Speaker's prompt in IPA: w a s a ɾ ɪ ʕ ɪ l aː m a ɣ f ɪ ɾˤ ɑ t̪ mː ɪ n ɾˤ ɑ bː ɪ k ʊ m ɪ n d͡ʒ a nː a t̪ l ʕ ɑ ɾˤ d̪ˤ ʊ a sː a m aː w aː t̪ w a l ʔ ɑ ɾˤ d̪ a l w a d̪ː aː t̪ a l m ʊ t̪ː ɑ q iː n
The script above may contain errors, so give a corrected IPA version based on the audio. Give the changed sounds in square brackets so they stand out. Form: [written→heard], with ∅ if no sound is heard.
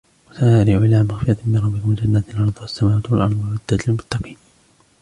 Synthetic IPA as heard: w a s a ɾ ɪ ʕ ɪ l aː m a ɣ f ɪ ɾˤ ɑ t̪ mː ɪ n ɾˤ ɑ bː ɪ k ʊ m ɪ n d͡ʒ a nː a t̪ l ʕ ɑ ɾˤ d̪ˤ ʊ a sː a m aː w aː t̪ w a l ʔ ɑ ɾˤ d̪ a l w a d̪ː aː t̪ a l m ʊ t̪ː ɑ q iː n